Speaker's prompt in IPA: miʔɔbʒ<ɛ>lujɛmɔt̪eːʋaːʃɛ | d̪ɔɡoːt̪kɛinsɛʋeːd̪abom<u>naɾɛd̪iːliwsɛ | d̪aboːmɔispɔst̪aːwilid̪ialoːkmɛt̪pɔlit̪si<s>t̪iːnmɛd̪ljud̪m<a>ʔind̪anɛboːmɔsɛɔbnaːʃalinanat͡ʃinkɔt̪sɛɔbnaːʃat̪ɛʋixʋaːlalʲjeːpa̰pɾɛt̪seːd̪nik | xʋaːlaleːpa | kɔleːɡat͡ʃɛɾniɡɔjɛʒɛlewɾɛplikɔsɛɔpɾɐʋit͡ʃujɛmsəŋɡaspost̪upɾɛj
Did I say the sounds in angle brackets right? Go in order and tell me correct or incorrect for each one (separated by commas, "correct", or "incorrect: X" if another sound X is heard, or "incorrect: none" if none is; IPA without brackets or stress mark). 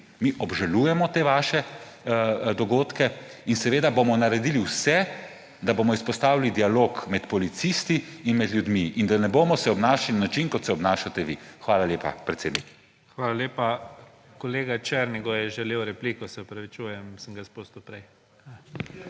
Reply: incorrect: a, incorrect: ɔ, correct, incorrect: i